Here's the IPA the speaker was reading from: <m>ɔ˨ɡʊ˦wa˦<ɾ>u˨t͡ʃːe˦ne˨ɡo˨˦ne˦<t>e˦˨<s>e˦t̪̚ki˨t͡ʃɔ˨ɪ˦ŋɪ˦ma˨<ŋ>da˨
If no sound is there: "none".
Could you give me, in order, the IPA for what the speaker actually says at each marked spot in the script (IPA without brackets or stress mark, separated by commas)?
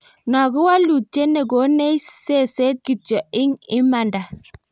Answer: n, l, s, s, n